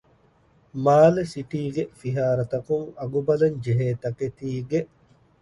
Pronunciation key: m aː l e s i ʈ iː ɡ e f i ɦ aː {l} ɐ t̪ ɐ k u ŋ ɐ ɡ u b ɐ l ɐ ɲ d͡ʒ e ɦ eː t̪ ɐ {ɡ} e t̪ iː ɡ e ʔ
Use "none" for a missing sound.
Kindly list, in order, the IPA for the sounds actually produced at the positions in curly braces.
ɾ, k

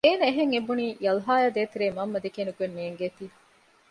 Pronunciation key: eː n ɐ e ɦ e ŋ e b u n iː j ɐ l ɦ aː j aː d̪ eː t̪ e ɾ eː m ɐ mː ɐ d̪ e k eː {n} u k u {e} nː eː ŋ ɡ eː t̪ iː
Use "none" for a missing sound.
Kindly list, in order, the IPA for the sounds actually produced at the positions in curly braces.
n, e

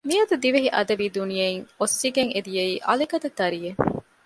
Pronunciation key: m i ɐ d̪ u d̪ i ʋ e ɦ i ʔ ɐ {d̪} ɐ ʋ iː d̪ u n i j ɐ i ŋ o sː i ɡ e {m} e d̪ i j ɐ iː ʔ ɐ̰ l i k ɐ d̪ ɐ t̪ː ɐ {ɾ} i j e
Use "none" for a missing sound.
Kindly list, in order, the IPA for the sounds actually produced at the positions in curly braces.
d̪, ŋ, ɾ

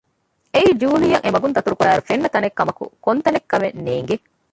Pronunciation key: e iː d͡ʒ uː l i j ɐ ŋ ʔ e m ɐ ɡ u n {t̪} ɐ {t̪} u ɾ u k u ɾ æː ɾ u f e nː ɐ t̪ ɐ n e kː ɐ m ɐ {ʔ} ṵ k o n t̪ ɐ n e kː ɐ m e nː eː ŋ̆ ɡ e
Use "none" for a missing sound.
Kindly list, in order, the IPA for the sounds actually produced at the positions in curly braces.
t̪, t̪, k

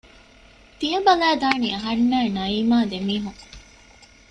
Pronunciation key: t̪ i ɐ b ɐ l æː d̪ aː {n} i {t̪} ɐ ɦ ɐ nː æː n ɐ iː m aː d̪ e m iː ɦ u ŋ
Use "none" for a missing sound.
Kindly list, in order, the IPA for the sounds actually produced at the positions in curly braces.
n, none

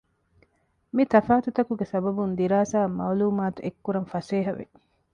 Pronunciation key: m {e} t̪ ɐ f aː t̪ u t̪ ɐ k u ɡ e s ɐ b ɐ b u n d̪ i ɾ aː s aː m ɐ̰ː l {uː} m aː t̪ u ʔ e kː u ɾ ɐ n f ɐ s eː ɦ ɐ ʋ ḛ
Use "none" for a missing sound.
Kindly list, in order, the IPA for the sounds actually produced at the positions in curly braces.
i, uː

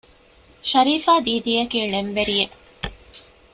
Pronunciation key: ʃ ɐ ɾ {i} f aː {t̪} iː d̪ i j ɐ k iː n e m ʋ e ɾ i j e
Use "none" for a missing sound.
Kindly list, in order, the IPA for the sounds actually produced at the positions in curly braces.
iː, d̪

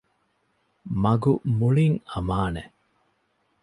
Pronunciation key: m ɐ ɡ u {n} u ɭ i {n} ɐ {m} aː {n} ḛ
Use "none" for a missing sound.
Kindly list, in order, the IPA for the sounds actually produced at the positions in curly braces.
m, ŋ, m, n

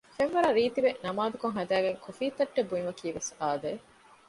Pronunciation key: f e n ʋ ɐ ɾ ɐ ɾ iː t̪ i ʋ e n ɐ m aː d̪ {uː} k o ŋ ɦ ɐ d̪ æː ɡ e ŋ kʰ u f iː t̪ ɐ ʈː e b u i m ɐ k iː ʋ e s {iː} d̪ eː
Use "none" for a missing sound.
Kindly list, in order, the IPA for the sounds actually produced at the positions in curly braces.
u, aː

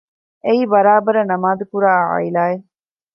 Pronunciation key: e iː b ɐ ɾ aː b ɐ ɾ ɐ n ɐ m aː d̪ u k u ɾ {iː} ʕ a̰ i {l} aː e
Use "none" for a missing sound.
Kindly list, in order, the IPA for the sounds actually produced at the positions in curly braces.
aː, l

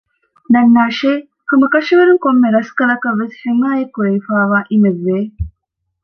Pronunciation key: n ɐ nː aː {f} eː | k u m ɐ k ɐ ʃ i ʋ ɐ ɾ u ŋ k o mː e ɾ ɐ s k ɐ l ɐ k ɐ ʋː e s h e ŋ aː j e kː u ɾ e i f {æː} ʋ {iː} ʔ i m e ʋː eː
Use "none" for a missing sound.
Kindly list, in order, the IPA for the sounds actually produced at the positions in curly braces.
ʃ, aː, aː

